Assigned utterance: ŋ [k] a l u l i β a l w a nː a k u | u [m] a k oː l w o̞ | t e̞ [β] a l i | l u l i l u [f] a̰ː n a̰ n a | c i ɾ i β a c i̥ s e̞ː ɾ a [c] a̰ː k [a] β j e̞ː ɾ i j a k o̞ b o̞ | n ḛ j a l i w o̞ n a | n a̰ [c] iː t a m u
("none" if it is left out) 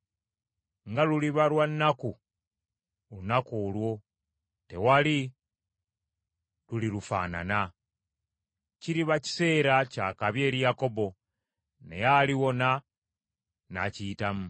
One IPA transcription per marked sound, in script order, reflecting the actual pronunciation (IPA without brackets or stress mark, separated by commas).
ɡ, n, w, f, c, a, c